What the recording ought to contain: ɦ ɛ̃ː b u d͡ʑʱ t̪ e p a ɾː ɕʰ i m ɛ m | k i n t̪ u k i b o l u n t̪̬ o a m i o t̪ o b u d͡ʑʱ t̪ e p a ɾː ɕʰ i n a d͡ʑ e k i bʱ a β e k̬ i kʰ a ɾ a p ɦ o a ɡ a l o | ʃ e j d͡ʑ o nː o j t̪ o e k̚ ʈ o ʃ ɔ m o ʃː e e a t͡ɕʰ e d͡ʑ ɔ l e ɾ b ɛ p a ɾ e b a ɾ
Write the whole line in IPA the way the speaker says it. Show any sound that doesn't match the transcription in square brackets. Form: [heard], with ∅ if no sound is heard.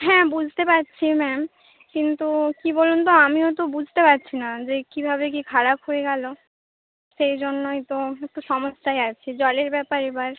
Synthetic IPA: ɦ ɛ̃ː b u d͡ʑʱ t̪ e p a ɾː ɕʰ i m ɛ m | k i n t̪ u k i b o l u n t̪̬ o a m i o t̪ o b u d͡ʑʱ t̪ e p a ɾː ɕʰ i n a d͡ʑ e k i bʱ a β e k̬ i kʰ a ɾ a p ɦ o [e] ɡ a l o | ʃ e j d͡ʑ o nː o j t̪ o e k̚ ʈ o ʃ ɔ m o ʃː [a] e a t͡ɕʰ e d͡ʑ ɔ l e ɾ b ɛ p a ɾ e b a ɾ